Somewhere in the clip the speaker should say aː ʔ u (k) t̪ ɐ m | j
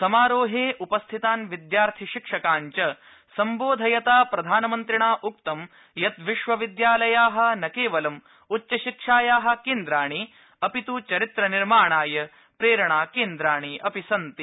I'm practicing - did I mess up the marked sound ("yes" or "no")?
no